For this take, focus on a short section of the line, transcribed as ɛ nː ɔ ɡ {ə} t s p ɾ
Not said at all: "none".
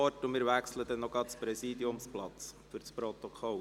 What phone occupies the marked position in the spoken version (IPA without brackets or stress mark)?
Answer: ɑ